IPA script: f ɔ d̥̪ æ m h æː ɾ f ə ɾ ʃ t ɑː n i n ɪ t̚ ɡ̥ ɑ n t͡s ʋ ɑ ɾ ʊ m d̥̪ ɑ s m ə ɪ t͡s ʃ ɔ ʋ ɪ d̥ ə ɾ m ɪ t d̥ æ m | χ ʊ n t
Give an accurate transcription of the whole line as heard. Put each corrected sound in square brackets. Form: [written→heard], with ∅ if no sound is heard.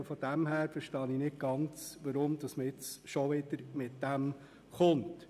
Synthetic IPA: f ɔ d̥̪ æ m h æː ɾ f ə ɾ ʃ t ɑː n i n ɪ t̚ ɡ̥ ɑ n t͡s ʋ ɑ ɾ ʊ m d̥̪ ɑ s m ə ɪ t͡s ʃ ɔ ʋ ɪ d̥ ə ɾ m ɪ t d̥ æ m | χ ʊ n t